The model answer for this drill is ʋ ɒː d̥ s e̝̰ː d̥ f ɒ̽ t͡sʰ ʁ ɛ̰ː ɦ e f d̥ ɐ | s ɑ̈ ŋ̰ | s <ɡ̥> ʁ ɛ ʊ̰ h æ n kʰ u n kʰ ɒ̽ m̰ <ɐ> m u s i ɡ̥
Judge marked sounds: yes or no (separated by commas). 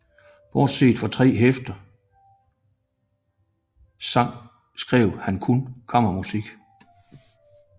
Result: yes, yes